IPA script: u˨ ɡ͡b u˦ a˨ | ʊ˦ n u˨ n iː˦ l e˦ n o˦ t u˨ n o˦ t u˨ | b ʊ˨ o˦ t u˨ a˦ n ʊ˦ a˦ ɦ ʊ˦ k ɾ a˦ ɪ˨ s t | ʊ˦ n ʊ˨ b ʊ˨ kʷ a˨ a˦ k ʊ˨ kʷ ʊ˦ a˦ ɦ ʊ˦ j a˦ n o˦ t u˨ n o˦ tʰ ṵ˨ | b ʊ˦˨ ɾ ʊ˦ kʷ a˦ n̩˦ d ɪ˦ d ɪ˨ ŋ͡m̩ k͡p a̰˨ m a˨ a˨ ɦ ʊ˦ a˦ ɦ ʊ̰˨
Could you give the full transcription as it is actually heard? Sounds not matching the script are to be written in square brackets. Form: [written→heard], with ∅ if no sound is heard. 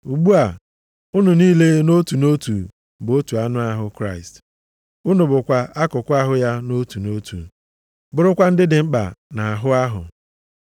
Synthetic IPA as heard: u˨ ɡ͡b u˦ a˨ | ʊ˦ n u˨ n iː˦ l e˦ n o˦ t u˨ n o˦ t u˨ | b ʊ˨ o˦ t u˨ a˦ n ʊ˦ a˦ ɦ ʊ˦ k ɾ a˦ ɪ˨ s t | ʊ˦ n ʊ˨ b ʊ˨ kʷ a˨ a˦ k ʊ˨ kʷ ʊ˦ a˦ ɦ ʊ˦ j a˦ n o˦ t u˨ n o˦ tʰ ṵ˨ | b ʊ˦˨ ɾ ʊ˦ kʷ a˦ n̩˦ d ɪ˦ d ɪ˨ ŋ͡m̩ k͡p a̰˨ [m→n] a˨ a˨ ɦ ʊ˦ a˦ ɦ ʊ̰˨

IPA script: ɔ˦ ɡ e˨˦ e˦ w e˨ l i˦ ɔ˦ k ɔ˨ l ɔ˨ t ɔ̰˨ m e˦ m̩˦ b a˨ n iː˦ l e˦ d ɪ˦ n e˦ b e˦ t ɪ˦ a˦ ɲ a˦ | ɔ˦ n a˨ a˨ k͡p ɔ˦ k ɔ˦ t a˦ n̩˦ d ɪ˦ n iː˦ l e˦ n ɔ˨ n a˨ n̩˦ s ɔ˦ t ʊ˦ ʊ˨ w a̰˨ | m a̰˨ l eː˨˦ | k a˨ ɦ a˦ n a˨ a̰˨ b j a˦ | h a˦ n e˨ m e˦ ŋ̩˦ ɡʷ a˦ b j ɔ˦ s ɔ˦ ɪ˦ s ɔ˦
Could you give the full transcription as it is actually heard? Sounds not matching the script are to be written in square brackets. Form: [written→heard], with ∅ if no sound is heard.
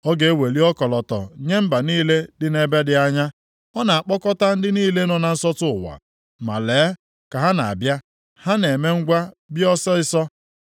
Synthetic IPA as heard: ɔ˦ ɡ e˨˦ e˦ w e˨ l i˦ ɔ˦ k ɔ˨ l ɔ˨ t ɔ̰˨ [m→ɲ] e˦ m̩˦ b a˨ n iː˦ l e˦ d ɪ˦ n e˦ b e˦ [t→d] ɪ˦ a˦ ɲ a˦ | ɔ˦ n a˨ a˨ k͡p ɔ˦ k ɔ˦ t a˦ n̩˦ d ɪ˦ n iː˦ l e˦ n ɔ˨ n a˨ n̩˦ s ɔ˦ t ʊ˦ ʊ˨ w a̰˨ | m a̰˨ l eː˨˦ | k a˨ ɦ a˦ n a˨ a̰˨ b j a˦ | h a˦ n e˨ m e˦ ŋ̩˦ ɡʷ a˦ b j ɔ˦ s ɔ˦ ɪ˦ s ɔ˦

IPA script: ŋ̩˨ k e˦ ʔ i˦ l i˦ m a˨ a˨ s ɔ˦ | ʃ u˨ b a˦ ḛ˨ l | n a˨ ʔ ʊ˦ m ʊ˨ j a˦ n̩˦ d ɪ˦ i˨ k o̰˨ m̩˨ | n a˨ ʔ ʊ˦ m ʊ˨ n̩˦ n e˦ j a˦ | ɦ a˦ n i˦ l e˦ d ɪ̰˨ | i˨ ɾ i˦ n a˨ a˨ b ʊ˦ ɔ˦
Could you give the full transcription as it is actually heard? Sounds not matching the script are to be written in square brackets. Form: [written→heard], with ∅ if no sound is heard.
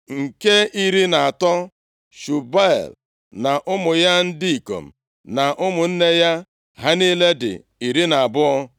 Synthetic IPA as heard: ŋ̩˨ k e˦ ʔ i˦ [l→ɾ] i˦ [m→n] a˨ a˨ [s→t] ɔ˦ | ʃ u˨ b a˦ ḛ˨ l | n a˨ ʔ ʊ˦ m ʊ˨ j a˦ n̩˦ d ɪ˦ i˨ k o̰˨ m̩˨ | n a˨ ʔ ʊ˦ m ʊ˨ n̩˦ n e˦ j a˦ | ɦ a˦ n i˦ l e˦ d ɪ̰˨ | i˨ ɾ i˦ n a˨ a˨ b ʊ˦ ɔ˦

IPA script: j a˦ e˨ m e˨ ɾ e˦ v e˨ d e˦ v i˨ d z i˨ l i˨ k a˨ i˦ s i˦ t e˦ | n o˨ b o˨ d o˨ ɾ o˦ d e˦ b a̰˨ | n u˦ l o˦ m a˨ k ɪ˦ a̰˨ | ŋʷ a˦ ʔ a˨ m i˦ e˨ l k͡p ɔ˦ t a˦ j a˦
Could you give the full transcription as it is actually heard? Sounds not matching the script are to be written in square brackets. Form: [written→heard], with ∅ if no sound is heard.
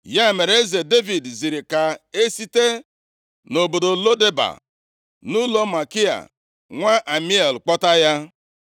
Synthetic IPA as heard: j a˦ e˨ m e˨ ɾ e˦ [v→z] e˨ d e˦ v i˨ d z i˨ [l→ɾ] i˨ k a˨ [i˦→e˦] s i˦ t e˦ | n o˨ b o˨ d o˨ [ɾ→l] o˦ d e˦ b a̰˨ | n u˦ l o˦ m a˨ k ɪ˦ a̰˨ | ŋʷ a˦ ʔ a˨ m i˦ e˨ l k͡p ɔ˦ t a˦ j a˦

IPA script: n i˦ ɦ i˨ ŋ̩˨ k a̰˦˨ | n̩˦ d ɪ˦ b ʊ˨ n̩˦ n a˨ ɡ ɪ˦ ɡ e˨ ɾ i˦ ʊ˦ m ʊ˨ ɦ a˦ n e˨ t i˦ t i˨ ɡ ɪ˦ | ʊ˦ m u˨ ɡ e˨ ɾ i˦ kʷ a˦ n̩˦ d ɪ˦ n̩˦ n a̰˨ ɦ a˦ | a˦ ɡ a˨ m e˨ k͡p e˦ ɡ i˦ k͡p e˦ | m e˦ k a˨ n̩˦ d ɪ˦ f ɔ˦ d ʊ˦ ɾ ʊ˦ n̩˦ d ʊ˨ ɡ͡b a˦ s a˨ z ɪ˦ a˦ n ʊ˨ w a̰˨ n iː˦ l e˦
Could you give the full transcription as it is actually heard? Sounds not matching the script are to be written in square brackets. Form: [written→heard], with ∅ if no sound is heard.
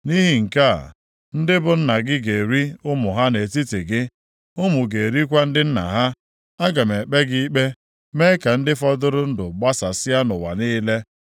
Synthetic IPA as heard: n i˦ ɦ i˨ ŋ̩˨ k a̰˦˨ | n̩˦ d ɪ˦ b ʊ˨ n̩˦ n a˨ ɡ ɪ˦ ɡ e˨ ɾ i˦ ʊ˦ m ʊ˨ ɦ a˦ n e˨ t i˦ t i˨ ɡ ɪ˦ | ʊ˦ m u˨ ɡ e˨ ɾ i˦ kʷ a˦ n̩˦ d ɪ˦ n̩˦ n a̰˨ ɦ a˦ | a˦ ɡ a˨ m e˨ k͡p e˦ ɡ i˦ k͡p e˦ | m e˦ k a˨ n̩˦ d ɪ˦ f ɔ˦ d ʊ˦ ɾ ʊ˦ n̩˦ d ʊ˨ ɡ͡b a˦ s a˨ [z→s] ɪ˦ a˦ n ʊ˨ w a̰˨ n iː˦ l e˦

